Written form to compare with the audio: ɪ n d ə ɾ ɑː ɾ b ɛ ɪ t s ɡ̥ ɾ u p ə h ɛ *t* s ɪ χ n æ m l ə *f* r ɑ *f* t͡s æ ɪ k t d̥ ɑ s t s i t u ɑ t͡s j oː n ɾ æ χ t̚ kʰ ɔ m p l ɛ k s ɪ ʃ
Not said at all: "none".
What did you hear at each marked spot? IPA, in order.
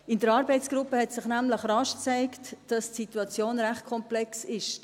t, χ, ʃ

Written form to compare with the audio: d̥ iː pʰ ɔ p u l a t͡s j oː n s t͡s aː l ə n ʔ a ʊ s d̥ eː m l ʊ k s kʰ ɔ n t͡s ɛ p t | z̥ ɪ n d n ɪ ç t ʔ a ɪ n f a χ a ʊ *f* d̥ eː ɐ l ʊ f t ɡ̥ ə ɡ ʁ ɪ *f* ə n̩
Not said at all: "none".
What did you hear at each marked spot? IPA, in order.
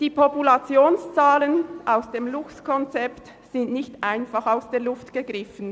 s, f

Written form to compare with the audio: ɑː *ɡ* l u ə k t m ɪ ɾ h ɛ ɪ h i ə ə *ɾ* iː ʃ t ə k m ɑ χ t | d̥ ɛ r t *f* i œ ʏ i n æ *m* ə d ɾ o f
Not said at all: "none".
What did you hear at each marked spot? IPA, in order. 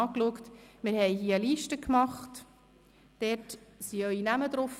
k, l, s, m

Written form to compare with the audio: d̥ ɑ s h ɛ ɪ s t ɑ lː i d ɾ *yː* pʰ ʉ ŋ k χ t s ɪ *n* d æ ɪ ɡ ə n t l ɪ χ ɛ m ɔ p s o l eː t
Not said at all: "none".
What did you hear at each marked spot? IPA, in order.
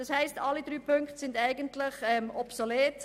yː, n

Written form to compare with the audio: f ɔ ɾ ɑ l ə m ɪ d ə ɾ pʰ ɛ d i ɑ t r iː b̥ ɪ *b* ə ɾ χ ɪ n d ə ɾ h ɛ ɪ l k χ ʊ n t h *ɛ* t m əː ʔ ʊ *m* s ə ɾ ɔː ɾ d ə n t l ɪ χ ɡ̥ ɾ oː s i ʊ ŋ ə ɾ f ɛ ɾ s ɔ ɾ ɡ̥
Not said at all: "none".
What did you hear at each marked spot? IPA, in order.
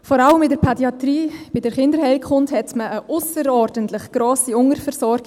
d, ɛ, none

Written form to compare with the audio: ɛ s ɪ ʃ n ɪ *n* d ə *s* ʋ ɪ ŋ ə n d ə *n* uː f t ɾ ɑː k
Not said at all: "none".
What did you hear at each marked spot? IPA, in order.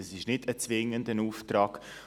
none, t͡s, n

